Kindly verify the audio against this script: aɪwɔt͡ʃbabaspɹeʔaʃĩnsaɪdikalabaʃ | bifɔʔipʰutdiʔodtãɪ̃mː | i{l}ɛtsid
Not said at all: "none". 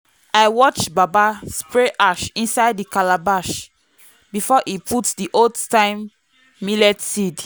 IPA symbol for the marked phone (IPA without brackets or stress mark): l